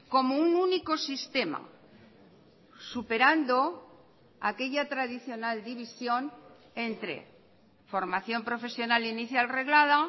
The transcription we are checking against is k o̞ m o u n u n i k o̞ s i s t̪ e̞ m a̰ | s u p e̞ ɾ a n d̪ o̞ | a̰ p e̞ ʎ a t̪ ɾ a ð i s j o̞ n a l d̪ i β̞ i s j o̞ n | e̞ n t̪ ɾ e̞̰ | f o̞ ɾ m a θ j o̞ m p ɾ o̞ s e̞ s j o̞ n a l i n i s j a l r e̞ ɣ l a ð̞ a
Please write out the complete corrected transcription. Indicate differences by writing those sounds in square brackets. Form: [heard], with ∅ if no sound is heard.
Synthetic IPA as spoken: k o̞ m o u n u n i k o̞ s i s t̪ e̞ m a̰ | s u p e̞ ɾ a n d̪ o̞ | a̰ [k] e̞ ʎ a t̪ ɾ a ð i [θ] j o̞ n a l d̪ i β̞ i s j o̞ n | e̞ n t̪ ɾ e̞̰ | f o̞ ɾ m a θ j o̞ m p ɾ o̞ [f] e̞ s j o̞ n a l i n i [θ] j a l r e̞ ɣ l a ð̞ a